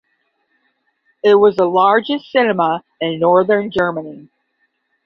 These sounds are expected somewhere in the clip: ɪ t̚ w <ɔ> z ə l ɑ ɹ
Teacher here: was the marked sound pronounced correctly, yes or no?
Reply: no